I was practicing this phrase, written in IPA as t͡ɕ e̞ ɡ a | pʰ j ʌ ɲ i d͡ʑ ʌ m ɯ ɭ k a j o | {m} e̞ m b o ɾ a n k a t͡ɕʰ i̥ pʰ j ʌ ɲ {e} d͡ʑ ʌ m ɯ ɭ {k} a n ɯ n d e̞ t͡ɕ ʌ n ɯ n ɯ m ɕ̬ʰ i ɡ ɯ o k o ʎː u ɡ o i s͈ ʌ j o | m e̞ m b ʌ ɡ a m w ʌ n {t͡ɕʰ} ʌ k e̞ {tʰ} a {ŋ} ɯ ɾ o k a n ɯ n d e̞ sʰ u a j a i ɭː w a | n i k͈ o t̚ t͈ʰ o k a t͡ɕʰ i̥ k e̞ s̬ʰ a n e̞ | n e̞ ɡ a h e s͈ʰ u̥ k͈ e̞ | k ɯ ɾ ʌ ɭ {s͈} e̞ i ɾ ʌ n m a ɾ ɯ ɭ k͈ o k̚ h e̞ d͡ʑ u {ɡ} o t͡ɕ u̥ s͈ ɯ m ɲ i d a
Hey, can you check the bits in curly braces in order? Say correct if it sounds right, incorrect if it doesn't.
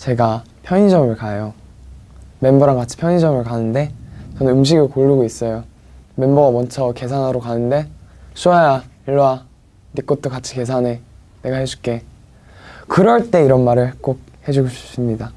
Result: correct, incorrect: i, correct, correct, incorrect: sʰ, incorrect: n, incorrect: t͈, correct

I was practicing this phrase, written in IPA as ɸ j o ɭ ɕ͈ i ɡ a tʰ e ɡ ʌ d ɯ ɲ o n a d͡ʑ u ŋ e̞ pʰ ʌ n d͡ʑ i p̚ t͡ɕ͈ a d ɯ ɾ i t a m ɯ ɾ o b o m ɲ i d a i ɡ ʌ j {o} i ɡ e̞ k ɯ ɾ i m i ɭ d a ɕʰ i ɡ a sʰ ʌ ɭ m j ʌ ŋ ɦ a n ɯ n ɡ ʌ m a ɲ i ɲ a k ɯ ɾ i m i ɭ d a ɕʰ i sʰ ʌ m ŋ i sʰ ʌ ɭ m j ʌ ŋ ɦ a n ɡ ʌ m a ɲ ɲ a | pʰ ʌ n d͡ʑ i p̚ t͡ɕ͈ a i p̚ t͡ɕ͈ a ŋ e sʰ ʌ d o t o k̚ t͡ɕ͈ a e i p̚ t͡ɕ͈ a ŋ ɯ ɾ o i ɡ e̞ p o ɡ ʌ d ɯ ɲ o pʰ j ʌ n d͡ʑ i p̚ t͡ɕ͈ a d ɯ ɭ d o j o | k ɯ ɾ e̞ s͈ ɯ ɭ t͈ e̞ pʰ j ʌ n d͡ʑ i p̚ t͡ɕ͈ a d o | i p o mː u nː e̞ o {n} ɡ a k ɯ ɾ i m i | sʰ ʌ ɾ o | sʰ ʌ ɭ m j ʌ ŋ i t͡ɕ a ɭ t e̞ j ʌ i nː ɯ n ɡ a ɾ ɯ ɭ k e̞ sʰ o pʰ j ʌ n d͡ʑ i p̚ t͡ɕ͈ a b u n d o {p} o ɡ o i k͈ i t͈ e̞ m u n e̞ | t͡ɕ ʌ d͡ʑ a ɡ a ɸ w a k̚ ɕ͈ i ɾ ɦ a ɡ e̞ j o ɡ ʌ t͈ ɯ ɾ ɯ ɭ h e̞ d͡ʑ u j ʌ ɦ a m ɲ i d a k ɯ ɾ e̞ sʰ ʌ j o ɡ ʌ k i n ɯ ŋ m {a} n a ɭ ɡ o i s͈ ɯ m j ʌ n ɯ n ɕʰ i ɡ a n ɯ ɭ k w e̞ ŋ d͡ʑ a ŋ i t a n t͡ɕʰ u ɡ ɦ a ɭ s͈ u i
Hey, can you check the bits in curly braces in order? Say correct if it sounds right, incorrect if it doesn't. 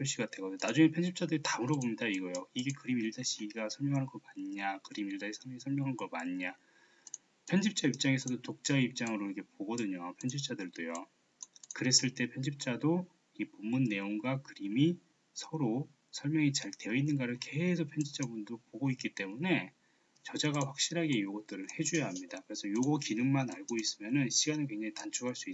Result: correct, incorrect: ŋ, correct, correct

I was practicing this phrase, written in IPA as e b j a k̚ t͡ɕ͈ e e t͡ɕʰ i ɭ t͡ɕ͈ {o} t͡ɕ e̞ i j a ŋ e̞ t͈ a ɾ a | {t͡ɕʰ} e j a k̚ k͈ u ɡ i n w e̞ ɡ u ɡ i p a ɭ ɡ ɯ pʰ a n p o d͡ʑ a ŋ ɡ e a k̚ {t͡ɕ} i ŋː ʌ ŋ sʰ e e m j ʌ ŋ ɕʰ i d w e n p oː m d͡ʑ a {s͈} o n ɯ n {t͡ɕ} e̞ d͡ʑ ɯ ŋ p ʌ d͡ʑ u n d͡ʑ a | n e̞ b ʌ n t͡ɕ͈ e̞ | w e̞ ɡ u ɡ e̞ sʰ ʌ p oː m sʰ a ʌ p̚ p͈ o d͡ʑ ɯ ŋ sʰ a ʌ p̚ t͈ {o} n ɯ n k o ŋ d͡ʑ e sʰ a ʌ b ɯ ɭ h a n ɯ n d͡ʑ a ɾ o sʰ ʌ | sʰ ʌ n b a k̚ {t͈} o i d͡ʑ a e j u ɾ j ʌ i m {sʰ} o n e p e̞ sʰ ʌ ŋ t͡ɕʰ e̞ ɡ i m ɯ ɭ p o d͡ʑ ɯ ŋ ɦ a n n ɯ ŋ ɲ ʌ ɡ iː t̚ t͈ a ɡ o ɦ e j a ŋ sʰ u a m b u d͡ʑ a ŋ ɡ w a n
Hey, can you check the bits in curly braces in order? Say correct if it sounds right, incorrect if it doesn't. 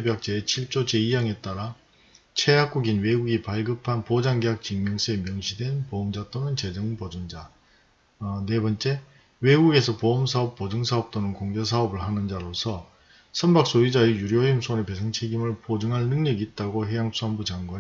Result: correct, correct, correct, incorrect: t͈, correct, correct, incorrect: s͈, correct

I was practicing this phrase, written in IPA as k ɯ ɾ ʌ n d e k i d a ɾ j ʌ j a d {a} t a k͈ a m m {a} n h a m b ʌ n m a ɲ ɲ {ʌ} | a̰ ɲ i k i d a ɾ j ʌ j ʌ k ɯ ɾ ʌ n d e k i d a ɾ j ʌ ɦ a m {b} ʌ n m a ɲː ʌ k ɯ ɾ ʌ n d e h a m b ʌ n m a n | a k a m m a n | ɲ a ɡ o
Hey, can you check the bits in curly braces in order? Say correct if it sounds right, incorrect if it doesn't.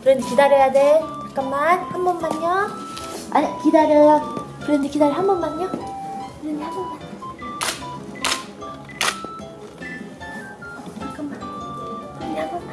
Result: incorrect: e, correct, correct, correct

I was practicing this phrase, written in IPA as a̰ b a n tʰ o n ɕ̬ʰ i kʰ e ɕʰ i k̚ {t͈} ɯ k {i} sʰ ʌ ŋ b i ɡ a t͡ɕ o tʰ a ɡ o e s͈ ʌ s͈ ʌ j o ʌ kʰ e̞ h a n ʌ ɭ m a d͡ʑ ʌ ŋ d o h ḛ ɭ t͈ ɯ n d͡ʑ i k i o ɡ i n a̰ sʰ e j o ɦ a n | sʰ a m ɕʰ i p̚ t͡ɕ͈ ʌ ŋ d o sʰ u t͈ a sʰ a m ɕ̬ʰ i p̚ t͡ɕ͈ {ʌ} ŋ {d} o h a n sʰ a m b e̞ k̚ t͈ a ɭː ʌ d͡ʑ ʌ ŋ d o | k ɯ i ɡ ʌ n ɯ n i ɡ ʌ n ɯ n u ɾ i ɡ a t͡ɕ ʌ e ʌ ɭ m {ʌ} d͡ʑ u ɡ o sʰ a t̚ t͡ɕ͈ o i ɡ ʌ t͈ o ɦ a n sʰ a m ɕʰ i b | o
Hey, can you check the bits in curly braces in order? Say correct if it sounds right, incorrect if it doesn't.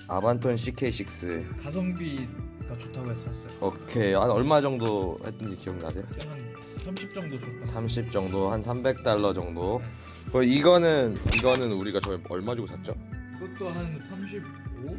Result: incorrect: s͈, incorrect: a, correct, correct, incorrect: a

